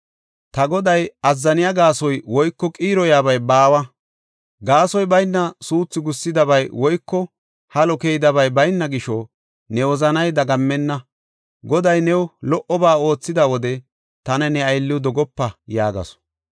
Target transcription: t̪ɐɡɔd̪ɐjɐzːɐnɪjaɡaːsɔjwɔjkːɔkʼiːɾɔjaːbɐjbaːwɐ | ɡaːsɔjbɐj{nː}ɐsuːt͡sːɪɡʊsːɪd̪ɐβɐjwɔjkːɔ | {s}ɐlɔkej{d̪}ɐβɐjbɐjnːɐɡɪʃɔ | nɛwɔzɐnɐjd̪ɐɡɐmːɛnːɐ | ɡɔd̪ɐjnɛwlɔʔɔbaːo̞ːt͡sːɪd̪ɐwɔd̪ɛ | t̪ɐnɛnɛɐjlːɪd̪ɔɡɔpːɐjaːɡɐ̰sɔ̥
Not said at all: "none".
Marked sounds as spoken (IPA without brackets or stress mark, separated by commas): nː, h, d̪